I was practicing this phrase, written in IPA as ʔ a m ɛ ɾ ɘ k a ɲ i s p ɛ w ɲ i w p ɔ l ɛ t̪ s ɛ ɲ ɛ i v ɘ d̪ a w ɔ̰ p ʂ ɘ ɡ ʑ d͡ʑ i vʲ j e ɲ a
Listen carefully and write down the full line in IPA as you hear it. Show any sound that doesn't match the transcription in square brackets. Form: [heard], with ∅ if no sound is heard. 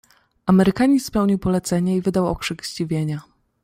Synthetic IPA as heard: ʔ a m ɛ ɾ ɘ k a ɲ i s p ɛ w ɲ i w p ɔ l ɛ t̪ s ɛ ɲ ɛ i v ɘ d̪ a w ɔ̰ [k] ʂ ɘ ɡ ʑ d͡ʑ i vʲ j e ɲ a